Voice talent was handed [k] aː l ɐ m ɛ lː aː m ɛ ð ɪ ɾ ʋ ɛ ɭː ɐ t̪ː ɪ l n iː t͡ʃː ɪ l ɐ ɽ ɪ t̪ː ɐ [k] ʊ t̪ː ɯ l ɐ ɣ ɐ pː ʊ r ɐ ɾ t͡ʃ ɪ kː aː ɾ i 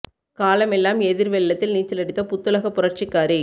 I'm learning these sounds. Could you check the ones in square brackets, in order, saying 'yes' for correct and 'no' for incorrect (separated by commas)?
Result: yes, no